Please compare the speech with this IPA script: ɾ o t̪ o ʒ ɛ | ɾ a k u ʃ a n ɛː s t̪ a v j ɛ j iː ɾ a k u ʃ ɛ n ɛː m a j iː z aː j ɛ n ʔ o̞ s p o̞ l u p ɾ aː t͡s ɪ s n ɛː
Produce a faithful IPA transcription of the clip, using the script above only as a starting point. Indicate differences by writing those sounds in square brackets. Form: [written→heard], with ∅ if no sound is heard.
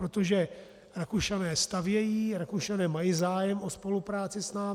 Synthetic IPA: ɾ o t̪ o ʒ ɛ | ɾ a k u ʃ a n ɛː s t̪ a v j ɛ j iː ɾ a k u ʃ [ɛ→a] n ɛː m a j iː z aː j ɛ [n→m] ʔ o̞ s p o̞ l u p ɾ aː t͡s ɪ s n [ɛː→aː]